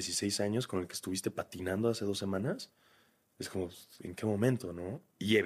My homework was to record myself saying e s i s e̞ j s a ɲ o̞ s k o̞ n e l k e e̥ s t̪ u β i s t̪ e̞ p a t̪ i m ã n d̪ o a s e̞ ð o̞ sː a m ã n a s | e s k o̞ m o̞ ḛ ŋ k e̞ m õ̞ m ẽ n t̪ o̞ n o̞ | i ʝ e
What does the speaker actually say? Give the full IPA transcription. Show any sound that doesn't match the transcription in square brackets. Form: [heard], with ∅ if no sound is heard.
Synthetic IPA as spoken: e s i s e̞ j s a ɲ o̞ s k o̞ n e l k e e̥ s t̪ u β i s t̪ e̞ p a t̪ i [n] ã n d̪ o a s e̞ ð o̞ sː [e] m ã n a s | e s k o̞ m o̞ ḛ ŋ k e̞ m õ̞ m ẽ n t̪ o̞ n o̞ | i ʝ e